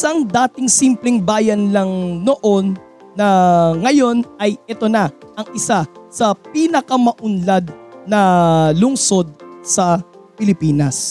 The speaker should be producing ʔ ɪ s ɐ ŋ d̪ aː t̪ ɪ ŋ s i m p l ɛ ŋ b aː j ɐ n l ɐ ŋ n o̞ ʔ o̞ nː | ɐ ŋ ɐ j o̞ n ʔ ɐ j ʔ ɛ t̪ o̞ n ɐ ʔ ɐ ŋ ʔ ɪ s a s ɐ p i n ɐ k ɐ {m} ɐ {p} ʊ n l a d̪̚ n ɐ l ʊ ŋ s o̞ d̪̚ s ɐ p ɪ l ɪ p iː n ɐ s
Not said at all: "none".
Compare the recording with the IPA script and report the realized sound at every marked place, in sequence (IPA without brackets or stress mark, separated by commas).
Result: m, ʔ